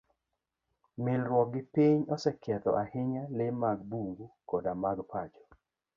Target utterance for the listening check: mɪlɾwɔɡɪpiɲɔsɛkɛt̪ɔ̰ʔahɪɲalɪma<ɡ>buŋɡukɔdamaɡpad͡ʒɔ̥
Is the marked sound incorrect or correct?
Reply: correct